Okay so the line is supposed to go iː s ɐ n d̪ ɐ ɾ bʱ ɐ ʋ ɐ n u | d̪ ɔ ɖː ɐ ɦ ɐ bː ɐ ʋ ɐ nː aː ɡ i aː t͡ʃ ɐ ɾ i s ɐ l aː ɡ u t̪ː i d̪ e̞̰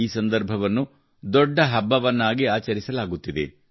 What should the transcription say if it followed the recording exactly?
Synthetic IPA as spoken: iː s ɐ n d̪ ɐ ɾ bʱ ɐ ʋ ɐ nː u | d̪ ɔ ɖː ɐ ɦ ɐ bː ɐ ʋ ɐ nː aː ɡ i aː t͡ʃ ɐ ɾ i s ɐ l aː ɡ u t̪ː i d̪ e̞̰